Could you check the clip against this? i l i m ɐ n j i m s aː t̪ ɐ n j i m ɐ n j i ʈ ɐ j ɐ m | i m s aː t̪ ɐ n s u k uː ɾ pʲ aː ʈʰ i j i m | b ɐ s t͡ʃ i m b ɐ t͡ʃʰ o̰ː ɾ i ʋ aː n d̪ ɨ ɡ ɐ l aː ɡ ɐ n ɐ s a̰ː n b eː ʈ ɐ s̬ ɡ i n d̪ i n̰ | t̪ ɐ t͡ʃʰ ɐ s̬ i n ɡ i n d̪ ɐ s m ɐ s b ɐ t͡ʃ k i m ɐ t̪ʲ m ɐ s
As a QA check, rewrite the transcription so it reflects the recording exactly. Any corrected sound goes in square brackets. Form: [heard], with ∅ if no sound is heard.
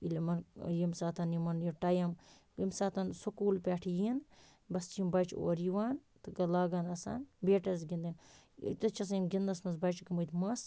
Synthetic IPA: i l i m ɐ n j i m s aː t̪ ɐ n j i m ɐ n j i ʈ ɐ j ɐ m | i m s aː t̪ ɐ n s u k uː [l] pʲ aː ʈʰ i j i [n] | b ɐ s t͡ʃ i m b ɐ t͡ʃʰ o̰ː ɾ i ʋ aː n [t̪] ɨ ɡ ɐ l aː ɡ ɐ n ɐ s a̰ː n b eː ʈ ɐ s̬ ɡ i n d̪ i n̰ | t̪ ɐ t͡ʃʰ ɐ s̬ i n ɡ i n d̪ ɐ s m ɐ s b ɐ t͡ʃ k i m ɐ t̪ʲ m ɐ s